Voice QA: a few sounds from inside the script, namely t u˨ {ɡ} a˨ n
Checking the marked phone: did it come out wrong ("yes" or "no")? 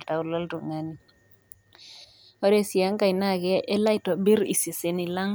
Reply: yes